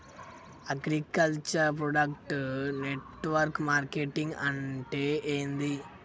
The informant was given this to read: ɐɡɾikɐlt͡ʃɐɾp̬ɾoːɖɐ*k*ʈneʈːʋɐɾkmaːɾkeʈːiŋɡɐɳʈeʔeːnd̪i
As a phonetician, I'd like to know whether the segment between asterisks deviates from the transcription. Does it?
no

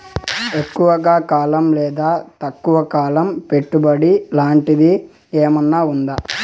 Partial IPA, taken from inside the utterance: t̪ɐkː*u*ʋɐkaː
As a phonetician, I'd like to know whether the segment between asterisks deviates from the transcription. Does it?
no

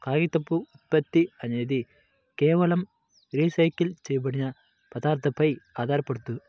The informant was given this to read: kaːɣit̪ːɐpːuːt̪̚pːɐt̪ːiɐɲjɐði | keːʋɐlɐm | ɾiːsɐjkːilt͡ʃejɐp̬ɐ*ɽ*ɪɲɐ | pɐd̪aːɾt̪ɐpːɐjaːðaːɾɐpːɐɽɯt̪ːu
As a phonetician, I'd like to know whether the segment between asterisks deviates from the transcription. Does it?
no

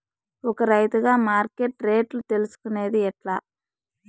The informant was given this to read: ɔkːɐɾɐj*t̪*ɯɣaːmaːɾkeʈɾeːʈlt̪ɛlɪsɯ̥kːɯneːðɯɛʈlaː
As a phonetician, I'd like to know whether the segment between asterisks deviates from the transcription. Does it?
no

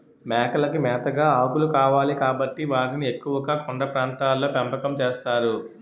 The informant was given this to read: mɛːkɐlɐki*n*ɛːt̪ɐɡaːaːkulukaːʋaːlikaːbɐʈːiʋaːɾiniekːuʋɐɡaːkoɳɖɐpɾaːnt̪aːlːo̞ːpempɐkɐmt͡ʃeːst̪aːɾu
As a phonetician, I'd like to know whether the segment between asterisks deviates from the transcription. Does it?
yes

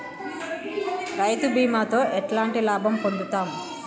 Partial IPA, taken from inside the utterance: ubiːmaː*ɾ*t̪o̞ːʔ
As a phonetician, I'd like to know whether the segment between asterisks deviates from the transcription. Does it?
yes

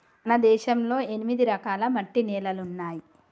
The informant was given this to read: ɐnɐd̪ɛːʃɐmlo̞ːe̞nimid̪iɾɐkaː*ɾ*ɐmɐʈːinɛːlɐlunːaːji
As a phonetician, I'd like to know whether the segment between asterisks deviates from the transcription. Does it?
yes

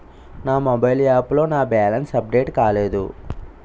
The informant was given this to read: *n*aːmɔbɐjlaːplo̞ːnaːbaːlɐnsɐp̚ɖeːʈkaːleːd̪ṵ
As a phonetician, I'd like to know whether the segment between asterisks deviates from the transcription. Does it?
no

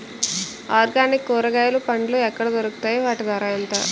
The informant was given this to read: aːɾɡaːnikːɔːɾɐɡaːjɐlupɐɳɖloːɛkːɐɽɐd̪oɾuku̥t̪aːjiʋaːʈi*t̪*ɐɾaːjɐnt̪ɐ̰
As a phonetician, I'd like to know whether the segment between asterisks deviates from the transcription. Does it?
yes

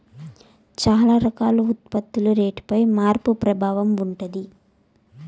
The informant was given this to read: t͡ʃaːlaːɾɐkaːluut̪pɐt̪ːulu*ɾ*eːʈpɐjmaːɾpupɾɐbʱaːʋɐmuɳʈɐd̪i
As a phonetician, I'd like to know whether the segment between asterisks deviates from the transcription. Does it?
no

